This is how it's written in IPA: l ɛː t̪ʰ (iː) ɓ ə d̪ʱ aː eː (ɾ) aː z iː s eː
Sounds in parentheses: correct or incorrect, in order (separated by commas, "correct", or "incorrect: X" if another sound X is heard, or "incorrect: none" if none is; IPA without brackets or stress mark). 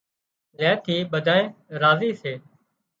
correct, correct